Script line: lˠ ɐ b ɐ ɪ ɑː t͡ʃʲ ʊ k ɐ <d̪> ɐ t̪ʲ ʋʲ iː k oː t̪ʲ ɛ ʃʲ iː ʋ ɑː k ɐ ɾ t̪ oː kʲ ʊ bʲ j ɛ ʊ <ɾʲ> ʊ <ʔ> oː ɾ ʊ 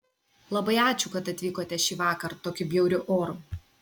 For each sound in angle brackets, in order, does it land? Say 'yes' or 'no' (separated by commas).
no, yes, yes